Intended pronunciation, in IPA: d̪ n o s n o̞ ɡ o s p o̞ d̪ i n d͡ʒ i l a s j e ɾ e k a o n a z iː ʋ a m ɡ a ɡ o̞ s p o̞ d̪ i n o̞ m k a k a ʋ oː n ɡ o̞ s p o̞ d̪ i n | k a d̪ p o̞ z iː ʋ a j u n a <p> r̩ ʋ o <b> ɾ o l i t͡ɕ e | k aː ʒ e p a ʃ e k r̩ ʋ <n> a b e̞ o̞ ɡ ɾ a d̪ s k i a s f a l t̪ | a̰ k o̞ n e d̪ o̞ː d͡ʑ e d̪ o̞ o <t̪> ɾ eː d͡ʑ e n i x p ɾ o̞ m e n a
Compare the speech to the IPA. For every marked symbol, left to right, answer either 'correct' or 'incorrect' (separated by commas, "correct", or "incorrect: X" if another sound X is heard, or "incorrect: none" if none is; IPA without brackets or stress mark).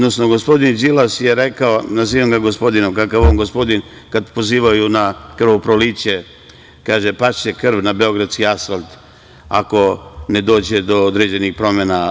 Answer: incorrect: k, incorrect: p, correct, incorrect: d̪